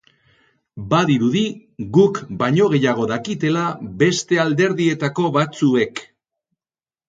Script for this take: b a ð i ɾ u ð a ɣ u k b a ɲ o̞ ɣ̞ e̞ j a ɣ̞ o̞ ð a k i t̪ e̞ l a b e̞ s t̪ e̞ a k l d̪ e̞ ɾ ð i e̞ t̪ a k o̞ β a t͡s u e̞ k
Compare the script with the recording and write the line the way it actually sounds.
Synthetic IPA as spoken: b a ð i ɾ u ð i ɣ u k b a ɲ o̞ ɣ̞ e̞ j a ɣ̞ o̞ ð a k i t̪ e̞ l a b e̞ s t̪ e̞ a l d̪ e̞ ɾ ð i e̞ t̪ a k o̞ β a t͡s u e̞ k

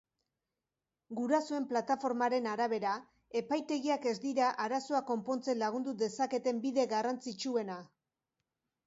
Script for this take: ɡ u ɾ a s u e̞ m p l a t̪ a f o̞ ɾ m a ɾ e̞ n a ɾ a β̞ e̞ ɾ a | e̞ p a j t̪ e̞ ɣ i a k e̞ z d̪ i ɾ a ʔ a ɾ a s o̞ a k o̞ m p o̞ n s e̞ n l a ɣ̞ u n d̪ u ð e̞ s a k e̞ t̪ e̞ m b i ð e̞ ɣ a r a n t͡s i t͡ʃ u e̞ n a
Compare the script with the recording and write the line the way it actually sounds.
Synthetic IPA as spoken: ɡ u ɾ a s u e̞ m p l a t̪ a f o̞ ɾ m a ɾ e̞ n a ɾ a β̞ e̞ ɾ a | e̞ p a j t̪ e̞ ɣ i a k e̞ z d̪ i ɾ a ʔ a ɾ a s o̞ a k o̞ m p o̞ n t͡s e̞ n l a ɣ̞ u n d̪ u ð e̞ s a k e̞ t̪ e̞ m b i ð e̞ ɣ a r a n t͡s i t͡ʃ u e̞ n a

